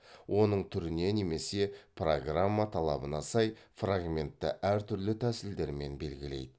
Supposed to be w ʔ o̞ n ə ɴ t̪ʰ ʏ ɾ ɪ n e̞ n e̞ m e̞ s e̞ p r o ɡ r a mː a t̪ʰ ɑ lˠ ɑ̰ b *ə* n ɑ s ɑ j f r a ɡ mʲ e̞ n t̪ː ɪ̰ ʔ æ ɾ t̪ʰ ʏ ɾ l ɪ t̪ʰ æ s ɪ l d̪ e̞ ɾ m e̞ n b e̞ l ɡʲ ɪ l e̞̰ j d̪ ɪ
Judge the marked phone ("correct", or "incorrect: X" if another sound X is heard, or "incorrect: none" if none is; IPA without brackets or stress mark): correct